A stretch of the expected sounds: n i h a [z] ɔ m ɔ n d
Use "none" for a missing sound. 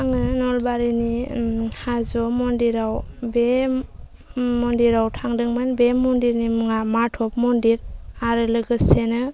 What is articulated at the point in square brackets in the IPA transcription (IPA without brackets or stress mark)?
z